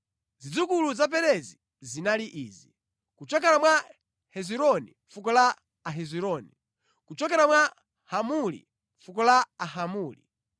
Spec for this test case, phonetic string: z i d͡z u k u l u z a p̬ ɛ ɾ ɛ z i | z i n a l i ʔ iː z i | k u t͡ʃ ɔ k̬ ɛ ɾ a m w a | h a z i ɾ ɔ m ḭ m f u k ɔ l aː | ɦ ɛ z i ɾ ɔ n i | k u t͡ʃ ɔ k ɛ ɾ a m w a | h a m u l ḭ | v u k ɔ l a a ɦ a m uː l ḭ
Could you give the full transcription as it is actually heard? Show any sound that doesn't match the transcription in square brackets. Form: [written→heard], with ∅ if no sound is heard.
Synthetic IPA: z i d͡z u k u l u z a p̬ ɛ ɾ ɛ z i | z i n a l i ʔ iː z i | k u t͡ʃ ɔ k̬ ɛ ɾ a m w a | h [a→ɛ] z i ɾ ɔ [m→n] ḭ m f u k ɔ l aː | ɦ ɛ z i ɾ ɔ n i | k u t͡ʃ ɔ k ɛ ɾ a m w a | h a m u l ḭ | [v→f] u k ɔ l a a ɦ a m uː l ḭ